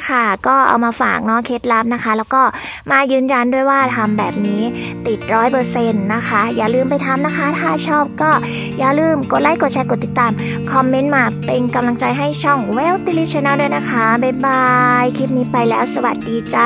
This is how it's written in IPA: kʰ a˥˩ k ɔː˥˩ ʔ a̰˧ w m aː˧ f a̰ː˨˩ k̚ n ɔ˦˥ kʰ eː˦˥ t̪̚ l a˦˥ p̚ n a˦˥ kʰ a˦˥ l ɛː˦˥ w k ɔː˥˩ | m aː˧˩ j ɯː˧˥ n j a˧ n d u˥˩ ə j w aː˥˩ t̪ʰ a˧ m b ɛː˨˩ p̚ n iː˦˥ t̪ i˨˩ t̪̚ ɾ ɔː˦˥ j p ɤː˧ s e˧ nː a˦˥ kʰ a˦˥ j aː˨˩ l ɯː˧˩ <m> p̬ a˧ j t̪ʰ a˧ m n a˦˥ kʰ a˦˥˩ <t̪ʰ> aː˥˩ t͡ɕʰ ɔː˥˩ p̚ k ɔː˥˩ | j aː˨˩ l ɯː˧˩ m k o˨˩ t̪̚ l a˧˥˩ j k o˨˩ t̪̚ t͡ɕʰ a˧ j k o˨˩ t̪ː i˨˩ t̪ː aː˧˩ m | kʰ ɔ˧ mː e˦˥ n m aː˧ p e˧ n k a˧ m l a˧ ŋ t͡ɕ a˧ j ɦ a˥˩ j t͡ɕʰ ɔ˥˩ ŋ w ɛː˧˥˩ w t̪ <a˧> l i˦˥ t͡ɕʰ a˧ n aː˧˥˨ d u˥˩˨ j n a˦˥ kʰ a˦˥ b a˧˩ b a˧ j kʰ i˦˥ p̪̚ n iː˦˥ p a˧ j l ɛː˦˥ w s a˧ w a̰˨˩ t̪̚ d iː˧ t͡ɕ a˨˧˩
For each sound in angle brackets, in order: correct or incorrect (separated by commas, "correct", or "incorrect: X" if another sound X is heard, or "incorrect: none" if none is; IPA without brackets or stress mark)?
correct, correct, incorrect: i˧